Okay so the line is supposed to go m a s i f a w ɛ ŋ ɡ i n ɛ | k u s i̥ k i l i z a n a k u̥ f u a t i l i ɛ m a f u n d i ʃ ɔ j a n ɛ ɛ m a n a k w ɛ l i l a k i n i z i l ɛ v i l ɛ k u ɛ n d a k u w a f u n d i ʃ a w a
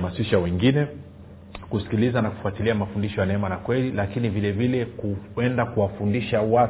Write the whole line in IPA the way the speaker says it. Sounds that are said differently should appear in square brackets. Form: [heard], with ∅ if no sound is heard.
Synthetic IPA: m a s i [ʃ] a w ɛ ŋ ɡ i n ɛ | k u s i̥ k i l i z a n a k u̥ f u a t i l i [a] m a f u n d i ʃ ɔ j a n ɛ ɛ m a n a k w ɛ l i l a k i n i [v] i l ɛ v i l ɛ k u ɛ n d a k u w a f u n d i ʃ a w a